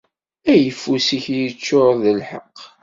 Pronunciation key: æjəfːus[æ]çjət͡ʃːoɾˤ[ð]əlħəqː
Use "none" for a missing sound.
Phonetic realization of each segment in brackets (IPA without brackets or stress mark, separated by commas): i, ð